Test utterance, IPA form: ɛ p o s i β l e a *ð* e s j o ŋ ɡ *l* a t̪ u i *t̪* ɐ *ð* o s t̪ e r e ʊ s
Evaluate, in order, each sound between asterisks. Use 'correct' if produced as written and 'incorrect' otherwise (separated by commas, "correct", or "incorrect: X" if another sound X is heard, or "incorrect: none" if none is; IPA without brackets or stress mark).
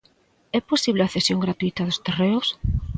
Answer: incorrect: θ, incorrect: ɾ, correct, correct